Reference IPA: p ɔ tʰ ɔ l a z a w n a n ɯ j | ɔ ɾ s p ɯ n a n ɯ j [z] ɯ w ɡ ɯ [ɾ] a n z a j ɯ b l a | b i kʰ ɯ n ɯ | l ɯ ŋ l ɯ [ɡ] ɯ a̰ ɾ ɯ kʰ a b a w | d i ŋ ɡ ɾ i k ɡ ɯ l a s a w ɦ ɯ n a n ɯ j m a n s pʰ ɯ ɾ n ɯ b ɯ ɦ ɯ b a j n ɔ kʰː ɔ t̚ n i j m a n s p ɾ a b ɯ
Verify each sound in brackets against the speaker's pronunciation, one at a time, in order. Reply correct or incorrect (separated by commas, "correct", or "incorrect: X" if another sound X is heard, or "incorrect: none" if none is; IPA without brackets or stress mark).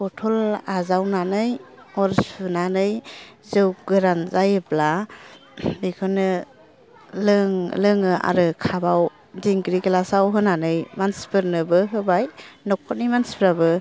correct, correct, incorrect: ŋ